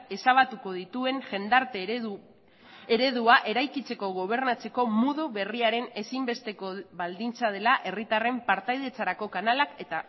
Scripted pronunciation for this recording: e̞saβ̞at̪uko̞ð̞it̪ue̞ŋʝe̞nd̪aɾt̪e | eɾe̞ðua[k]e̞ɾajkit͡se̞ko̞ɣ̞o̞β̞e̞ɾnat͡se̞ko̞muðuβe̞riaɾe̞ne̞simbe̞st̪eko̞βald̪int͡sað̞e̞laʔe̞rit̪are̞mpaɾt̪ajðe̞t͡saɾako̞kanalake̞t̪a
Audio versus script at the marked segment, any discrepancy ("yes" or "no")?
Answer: yes